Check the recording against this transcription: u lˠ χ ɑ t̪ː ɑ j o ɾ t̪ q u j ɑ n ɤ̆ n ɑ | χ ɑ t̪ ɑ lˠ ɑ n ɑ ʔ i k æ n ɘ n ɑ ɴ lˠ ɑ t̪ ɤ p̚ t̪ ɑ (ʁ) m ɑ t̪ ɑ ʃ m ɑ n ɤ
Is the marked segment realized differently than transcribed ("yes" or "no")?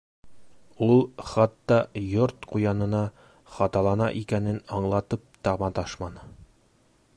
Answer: no